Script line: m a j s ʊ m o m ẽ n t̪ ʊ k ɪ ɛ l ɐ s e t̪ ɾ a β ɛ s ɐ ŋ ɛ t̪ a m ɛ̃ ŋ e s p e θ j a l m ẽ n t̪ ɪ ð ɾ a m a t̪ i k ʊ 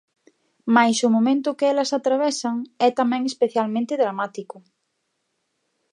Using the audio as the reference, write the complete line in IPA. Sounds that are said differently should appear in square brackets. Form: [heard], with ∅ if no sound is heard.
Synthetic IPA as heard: m a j s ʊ m o m ẽ n t̪ ʊ k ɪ ɛ l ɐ s [a] t̪ ɾ a β ɛ s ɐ ŋ ɛ t̪ a m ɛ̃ ŋ e s p e θ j a l m ẽ n t̪ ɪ ð ɾ a m a t̪ i k ʊ

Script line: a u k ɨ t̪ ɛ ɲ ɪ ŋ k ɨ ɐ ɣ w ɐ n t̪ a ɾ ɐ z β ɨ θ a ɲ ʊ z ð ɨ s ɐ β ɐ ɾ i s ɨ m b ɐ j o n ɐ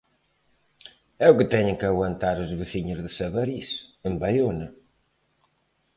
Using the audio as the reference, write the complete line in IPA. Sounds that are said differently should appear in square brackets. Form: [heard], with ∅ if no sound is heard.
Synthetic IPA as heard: [ɛ] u k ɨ t̪ ɛ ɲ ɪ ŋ k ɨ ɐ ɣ w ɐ n t̪ a ɾ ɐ z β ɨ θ [i] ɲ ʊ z ð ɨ s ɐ β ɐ ɾ i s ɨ m b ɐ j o n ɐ

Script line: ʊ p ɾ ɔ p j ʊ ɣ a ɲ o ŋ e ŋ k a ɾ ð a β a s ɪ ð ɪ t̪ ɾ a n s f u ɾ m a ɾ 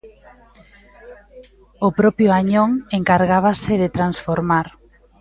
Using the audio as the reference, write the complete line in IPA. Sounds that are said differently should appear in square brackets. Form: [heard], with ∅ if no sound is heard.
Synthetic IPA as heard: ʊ p ɾ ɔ p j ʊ [∅] a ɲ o ŋ e ŋ k a ɾ [ɣ] a β a s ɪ ð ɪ t̪ ɾ a n s f [o] ɾ m a ɾ

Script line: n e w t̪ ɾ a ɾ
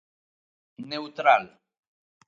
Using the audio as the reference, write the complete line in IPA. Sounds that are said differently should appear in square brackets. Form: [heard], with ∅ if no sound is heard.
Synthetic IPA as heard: n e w t̪ ɾ a [l]

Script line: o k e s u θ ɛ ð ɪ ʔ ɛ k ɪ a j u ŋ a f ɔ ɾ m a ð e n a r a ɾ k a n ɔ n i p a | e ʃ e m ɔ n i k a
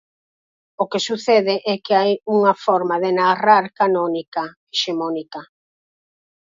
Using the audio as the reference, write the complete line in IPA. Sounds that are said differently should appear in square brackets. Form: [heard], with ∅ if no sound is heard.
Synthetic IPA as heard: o k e s u θ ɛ ð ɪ ʔ ɛ k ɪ a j u ŋ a f ɔ ɾ m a ð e n a r a ɾ k a n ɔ n i [k] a | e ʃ e m ɔ n i k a

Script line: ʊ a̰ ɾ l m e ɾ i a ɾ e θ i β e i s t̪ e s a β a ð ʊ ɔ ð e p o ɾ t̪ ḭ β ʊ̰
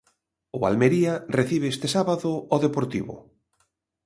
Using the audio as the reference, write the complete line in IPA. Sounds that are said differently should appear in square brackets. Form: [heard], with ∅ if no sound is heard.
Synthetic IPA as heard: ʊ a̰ [∅] l m e ɾ i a [r] e θ i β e [e] s t̪ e s a β a ð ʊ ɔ ð e p o ɾ t̪ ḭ β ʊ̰

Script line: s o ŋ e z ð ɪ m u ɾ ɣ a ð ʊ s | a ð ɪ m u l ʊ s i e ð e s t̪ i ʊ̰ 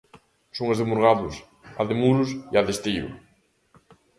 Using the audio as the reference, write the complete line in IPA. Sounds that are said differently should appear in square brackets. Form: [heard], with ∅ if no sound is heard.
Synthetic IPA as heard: s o ŋ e z ð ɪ m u ɾ ɣ a ð ʊ s | a ð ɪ m u [ɾ] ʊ s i [a] ð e s t̪ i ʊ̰

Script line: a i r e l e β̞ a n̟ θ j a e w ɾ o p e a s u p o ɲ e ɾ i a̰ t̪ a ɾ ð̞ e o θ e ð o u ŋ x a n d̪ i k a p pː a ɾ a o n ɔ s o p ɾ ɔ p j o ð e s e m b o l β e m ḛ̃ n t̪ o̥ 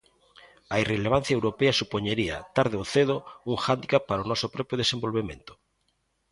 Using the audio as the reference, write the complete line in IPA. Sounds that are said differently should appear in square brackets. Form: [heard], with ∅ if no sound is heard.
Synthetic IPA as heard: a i r e l e β̞ a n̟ θ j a e w ɾ o p e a s u p o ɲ e ɾ i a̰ t̪ a ɾ ð̞ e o θ e ð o u ŋ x a n d̪ i k a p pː a ɾ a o n ɔ s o p ɾ ɔ p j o ð e s e m b o l β e m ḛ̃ n t̪ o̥

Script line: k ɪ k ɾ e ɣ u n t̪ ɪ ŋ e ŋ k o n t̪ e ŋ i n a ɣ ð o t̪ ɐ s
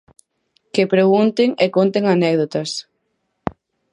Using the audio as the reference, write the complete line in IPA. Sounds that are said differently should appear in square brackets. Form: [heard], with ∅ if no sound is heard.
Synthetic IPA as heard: k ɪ [p] ɾ e ɣ u n t̪ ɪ ŋ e [∅] k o n t̪ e ŋ [a] n [ɛ] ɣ ð o t̪ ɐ s

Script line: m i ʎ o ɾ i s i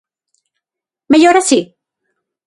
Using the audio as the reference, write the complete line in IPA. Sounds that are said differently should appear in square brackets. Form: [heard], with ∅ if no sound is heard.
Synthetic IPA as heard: m [e] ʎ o ɾ [a] s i

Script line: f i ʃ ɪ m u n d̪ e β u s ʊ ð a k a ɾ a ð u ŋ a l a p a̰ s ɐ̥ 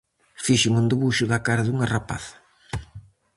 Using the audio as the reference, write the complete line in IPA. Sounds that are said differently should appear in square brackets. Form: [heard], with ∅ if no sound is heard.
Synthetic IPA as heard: f i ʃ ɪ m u n d̪ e β u [ʃ] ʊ ð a k a ɾ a ð u ŋ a [r] a p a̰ [θ] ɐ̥

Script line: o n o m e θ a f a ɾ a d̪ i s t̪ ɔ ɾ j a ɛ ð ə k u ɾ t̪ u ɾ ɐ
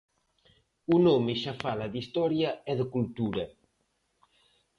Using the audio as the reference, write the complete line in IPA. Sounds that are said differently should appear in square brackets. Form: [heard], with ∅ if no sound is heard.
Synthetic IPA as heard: [u] n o m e [ʃ] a f a [l] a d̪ i s t̪ ɔ ɾ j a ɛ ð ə k u [l] t̪ u ɾ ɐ

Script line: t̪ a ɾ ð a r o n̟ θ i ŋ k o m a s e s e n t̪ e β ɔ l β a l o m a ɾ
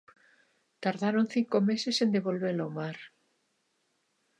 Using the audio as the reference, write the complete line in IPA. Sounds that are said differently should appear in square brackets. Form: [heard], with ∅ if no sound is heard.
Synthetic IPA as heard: t̪ a ɾ ð a [ɾ] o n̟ θ i ŋ k o m [e] s e s e n [d̪] e β [o] l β [e] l o m a ɾ

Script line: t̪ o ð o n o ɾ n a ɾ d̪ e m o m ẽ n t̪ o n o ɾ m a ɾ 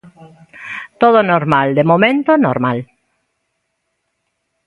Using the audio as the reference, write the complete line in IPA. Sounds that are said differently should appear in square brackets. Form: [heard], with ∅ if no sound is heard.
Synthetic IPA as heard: t̪ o ð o n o ɾ [m] a [l] d̪ e m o m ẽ n t̪ o n o ɾ m a [l]

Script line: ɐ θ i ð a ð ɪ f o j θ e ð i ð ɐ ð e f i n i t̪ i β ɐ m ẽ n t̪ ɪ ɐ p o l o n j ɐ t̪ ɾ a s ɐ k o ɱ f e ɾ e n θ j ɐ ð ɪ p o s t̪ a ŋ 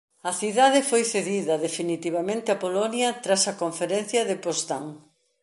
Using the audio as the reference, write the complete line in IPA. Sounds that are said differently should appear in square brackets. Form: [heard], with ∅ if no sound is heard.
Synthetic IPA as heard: ɐ θ i ð a ð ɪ f o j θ e ð i ð ɐ ð e f i n i t̪ i β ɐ m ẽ n t̪ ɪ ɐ p o l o n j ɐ t̪ ɾ a s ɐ k o ɱ f e ɾ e n θ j ɐ ð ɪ p o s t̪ a ŋ

